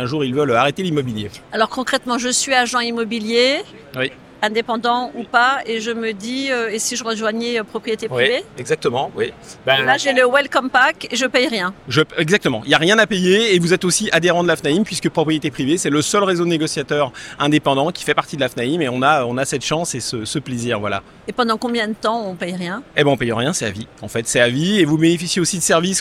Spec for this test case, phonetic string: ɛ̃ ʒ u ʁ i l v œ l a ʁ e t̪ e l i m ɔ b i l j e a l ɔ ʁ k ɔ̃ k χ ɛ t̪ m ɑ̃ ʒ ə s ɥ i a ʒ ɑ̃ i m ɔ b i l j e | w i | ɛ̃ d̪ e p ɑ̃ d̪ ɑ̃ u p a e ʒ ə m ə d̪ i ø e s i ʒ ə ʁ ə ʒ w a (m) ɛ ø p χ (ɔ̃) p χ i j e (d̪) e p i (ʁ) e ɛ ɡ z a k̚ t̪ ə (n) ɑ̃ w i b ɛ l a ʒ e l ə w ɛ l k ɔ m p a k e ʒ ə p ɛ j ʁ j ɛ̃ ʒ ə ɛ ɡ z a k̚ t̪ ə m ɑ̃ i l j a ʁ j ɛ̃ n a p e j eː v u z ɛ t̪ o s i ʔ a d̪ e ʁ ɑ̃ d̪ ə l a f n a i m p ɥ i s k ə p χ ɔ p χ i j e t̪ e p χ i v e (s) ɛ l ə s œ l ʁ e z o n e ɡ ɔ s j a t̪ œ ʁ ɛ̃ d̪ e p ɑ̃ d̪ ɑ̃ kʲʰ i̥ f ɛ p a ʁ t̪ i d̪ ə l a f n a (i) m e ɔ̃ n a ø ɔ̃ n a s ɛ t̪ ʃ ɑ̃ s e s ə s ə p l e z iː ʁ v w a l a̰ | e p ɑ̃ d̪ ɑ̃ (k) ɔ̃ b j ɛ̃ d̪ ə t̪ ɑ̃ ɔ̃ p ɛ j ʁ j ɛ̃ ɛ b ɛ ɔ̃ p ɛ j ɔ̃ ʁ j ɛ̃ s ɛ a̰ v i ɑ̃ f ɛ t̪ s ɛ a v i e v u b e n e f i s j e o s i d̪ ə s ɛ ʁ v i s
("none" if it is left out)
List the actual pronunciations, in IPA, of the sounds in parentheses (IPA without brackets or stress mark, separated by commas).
ɲ, ɔ, t̪, v, m, s, i, k